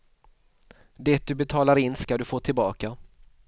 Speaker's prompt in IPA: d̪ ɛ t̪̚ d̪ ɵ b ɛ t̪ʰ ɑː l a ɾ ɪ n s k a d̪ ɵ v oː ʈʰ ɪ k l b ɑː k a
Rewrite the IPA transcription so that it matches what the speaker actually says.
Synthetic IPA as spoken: d̪ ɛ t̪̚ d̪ ɵ b ɛ t̪ʰ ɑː l a ɾ ɪ n s k a d̪ ɵ f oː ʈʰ ɪ l b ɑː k a